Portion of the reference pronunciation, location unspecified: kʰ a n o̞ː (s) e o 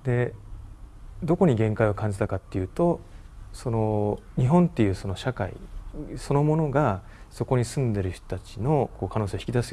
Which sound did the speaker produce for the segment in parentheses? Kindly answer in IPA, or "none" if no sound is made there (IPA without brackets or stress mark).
s